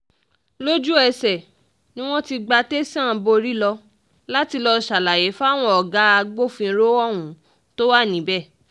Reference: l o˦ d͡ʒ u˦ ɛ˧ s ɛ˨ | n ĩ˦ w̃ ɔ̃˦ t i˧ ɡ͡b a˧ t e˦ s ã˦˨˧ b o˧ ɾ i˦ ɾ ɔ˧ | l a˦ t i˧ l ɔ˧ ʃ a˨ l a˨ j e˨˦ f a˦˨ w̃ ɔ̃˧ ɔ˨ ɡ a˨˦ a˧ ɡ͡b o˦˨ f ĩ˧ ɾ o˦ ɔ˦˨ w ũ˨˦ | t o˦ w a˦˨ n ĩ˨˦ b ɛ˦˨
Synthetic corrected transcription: l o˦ d͡ʒ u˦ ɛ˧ s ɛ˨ | n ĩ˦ w̃ ɔ̃˦ t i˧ ɡ͡b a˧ t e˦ s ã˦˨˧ b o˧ ɾ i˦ l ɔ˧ | l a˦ t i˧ l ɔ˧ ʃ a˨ l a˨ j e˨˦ f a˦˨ w̃ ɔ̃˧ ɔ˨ ɡ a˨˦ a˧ ɡ͡b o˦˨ f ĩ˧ ɾ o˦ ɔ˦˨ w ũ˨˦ | t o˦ w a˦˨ n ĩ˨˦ b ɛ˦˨